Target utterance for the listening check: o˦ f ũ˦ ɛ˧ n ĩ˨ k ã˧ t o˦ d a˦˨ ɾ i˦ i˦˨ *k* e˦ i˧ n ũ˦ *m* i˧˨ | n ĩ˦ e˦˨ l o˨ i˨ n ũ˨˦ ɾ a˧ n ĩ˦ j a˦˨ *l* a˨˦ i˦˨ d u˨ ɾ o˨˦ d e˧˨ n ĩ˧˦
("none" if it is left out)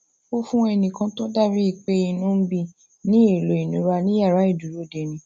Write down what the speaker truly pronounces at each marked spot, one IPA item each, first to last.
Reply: k͡p, b, ɾ

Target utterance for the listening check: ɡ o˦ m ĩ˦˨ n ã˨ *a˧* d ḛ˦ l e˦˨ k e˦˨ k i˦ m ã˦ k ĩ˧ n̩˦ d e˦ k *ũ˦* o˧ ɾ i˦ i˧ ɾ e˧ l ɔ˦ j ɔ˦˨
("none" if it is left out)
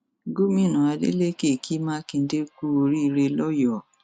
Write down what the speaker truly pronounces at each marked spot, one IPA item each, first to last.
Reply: a˧, u˦

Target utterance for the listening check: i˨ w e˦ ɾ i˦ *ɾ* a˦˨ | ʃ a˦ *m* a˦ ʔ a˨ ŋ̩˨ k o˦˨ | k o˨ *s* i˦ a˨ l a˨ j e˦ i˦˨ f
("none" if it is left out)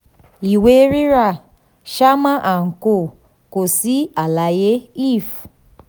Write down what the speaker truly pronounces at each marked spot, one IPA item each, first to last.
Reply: ɾ, m, s

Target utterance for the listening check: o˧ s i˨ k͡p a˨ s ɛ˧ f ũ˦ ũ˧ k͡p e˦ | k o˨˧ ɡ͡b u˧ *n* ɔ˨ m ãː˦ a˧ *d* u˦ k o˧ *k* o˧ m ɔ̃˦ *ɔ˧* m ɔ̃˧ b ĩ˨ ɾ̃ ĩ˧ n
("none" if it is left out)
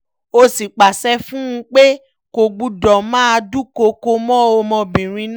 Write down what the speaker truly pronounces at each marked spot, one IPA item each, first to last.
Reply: d, d, k, o˧

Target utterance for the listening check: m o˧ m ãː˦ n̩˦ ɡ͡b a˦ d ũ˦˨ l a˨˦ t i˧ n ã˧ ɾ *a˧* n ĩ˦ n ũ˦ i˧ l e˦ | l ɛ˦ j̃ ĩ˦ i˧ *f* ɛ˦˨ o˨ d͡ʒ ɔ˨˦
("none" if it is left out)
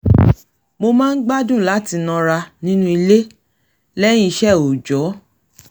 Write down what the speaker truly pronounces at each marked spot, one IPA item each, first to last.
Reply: a˧, ʃ

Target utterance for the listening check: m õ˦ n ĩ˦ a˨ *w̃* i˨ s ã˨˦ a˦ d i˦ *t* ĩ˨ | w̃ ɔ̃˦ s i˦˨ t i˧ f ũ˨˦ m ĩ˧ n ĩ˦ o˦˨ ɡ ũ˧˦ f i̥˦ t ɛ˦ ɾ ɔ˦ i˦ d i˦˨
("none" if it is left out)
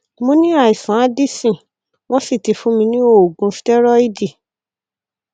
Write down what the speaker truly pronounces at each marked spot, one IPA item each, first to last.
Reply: none, s

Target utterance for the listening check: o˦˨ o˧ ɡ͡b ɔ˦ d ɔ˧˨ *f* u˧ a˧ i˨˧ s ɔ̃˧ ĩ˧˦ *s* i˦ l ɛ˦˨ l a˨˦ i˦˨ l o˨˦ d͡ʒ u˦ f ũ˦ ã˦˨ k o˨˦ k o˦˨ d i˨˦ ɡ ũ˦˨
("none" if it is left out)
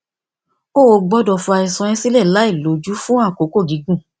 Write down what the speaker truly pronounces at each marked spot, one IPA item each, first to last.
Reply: f, s

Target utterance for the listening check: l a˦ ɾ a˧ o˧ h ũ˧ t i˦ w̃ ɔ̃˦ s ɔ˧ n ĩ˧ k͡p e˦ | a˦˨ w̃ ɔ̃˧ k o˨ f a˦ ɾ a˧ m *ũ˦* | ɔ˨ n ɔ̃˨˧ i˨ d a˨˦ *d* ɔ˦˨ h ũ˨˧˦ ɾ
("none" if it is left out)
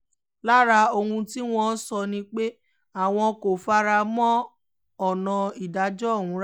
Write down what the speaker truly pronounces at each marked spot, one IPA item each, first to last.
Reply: ɔ̃˦, d͡ʒ

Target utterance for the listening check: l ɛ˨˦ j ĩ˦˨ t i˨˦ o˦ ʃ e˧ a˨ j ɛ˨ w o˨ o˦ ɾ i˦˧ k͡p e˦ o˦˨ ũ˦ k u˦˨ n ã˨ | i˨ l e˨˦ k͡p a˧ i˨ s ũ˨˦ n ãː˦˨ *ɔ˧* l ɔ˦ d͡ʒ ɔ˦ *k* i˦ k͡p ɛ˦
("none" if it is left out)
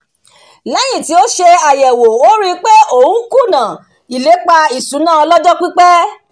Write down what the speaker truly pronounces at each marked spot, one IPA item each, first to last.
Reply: ɔ˧, k͡p

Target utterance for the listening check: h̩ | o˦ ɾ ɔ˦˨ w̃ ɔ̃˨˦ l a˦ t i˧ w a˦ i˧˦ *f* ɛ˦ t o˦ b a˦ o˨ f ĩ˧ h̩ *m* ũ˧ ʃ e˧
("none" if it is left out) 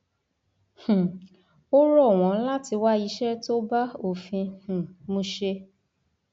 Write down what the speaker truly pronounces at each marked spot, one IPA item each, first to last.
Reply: ʃ, m

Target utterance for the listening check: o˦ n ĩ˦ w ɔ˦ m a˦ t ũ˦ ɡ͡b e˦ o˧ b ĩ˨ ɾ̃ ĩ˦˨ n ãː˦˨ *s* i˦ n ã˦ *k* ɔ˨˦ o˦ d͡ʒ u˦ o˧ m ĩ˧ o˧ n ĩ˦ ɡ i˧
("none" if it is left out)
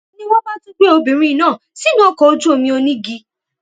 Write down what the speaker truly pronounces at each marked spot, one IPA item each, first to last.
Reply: s, k

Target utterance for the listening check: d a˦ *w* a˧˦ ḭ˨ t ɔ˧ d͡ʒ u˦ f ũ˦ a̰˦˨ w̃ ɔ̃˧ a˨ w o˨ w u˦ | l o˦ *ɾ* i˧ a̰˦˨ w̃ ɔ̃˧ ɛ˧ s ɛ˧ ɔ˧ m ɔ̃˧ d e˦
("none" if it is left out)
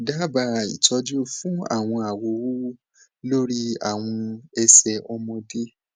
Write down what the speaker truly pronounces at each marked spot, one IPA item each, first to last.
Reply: b, ɾ

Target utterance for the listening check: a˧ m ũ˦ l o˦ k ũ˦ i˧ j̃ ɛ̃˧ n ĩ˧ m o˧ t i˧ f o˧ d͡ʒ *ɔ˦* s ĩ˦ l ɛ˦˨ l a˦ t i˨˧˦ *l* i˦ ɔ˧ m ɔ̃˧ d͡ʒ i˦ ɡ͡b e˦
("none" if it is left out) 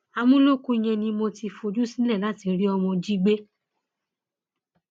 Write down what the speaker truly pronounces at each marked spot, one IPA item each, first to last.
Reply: u˦, ɾ

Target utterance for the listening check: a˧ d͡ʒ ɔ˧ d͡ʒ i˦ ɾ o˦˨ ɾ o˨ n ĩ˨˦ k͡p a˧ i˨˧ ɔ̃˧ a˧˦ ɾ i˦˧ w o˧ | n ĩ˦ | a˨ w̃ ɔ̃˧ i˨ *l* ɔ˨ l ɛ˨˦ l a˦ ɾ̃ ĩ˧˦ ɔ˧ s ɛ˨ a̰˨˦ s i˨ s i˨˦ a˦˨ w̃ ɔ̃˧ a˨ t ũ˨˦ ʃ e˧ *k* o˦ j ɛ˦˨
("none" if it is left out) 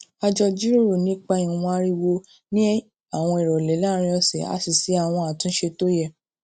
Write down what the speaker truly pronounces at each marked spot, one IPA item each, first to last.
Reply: ɾ, t

